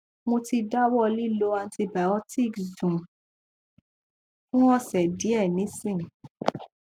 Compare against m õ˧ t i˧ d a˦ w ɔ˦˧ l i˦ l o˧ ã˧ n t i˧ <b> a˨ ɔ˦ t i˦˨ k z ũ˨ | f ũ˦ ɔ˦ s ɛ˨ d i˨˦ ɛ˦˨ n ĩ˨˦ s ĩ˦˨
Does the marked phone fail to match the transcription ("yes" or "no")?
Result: no